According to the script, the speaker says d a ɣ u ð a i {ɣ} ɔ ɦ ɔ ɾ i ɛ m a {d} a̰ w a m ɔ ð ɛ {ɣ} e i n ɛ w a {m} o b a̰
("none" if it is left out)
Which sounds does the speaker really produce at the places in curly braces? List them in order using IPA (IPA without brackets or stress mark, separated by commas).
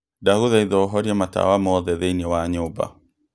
ð, t, ð, ɲ